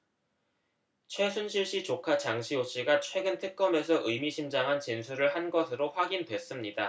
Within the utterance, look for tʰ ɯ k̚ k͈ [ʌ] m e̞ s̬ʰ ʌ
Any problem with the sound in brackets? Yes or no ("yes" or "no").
no